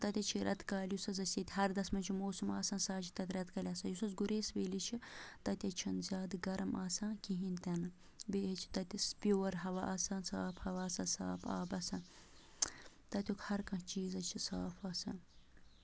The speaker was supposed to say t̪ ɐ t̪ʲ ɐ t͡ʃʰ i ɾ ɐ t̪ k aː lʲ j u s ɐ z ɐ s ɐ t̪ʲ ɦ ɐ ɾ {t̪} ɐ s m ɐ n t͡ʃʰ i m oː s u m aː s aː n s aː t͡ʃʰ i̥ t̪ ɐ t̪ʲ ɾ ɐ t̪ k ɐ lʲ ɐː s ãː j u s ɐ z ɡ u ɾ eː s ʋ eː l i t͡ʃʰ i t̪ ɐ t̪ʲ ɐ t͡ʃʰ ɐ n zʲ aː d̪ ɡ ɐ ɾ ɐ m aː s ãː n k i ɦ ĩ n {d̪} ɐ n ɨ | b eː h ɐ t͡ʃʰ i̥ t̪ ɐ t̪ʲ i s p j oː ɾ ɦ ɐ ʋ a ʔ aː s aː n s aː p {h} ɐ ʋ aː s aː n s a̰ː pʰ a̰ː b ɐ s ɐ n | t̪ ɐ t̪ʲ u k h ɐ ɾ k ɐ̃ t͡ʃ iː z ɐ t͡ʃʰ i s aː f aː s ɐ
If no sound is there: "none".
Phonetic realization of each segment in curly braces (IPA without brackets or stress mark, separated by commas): d̪, t̪, h